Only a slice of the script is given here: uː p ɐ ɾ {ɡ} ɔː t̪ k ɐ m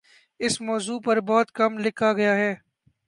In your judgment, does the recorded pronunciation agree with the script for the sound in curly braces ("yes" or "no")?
no